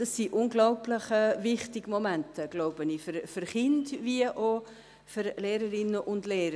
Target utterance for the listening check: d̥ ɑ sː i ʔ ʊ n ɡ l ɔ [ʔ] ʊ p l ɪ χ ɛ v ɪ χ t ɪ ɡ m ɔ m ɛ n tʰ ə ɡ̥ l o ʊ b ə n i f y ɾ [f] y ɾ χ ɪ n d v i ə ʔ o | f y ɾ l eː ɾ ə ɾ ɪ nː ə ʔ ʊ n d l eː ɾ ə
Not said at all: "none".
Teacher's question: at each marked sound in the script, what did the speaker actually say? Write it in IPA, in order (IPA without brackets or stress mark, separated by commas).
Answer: none, f